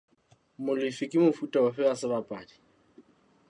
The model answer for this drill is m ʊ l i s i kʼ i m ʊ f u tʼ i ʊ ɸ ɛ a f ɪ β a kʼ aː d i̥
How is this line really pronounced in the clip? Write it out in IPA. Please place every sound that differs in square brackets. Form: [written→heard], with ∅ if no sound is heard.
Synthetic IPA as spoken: m ʊ l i [s→f] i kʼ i m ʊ f u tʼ [i→a] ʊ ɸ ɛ a [f→s] ɪ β a [kʼ→pʼ] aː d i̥